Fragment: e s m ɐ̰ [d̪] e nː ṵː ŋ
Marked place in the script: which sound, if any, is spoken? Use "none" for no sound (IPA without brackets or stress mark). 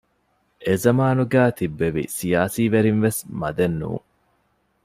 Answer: d̪